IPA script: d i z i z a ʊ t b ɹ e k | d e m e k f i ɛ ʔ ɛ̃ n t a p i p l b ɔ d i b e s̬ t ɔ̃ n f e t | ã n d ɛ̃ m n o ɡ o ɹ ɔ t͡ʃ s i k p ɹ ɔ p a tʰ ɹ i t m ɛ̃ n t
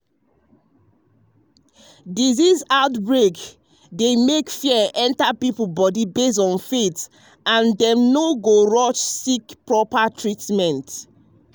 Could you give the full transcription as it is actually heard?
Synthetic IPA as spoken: d i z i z a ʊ t b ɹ e k | d e m e k f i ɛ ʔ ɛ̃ n t a p i p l b ɔ d i b e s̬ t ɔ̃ n f e t | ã n d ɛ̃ m n o ɡ o ɹ ɔ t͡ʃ s i k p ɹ ɔ p a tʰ ɹ i t m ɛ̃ n t